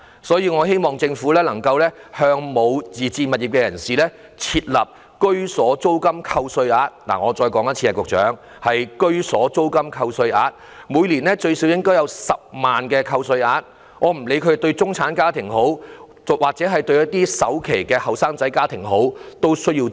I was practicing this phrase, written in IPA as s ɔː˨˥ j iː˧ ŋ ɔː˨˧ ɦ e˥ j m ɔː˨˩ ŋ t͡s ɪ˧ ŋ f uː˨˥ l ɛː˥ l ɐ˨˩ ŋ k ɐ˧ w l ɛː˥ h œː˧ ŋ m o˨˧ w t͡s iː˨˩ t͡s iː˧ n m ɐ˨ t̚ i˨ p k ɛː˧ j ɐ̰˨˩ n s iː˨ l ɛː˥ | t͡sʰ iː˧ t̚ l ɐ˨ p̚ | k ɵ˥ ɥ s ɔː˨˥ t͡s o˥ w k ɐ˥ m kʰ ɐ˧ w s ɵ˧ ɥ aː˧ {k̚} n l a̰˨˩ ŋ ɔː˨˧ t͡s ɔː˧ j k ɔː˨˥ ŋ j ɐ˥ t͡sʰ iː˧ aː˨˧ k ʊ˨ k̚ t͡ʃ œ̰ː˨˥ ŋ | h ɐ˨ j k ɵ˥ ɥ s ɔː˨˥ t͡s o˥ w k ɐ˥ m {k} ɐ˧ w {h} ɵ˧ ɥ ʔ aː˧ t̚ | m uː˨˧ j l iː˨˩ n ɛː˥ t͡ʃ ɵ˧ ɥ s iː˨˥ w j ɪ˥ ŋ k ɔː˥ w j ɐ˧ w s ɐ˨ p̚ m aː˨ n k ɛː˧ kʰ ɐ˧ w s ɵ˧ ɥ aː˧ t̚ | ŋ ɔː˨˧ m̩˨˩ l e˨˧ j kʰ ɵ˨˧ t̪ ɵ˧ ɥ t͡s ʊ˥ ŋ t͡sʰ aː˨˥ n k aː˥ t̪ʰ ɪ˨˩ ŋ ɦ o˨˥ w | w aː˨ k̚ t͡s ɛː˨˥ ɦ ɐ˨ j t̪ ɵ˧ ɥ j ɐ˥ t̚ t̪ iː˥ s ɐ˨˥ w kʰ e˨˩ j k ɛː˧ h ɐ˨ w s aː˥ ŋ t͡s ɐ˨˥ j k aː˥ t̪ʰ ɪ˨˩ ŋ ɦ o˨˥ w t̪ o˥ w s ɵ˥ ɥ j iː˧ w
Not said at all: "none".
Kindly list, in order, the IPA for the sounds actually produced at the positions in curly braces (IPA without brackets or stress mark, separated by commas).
t̚, kʰ, s